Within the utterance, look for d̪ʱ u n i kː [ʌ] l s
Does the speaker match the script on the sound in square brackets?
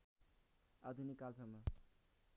no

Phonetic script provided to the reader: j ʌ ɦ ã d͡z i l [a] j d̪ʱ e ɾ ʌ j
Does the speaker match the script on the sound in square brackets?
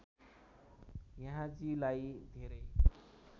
yes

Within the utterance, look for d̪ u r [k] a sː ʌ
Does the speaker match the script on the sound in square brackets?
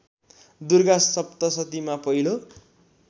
no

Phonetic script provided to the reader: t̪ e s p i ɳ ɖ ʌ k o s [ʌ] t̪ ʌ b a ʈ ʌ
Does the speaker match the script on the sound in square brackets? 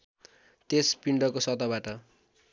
yes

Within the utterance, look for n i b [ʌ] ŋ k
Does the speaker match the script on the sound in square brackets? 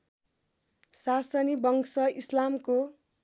yes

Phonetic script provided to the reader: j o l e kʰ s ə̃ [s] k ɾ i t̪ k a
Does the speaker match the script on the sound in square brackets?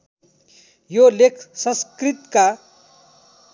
yes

